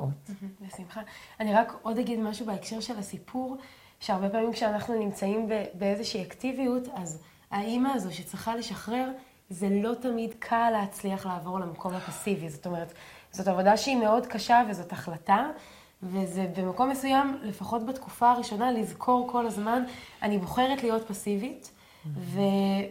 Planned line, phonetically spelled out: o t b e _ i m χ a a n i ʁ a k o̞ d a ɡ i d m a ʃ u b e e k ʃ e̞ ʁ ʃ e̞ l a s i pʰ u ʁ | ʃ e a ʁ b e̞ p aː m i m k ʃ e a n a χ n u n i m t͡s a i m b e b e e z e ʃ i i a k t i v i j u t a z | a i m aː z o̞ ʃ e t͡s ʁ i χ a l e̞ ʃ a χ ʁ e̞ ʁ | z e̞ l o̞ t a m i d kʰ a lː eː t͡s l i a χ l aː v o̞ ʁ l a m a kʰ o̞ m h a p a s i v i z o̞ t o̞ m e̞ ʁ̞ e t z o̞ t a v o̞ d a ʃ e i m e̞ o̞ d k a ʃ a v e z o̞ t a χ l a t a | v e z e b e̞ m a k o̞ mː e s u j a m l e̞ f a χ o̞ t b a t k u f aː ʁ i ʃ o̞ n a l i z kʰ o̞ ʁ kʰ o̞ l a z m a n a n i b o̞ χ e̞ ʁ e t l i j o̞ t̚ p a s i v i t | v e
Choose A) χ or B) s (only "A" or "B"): B